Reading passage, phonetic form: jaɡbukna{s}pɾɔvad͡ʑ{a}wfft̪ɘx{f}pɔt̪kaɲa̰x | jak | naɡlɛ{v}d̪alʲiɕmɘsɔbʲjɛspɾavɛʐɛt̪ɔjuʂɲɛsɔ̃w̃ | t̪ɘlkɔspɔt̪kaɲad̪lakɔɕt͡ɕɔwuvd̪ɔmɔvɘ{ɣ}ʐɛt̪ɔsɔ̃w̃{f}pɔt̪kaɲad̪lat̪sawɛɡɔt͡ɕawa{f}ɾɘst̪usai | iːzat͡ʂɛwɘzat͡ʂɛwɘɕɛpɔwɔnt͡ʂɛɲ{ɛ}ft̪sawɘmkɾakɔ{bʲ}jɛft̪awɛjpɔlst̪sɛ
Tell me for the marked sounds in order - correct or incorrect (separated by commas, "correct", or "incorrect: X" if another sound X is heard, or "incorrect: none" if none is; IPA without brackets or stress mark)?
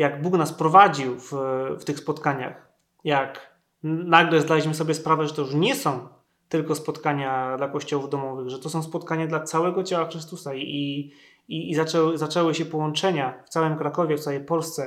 correct, incorrect: i, incorrect: s, incorrect: z, correct, incorrect: s, incorrect: x, incorrect: a, incorrect: vʲ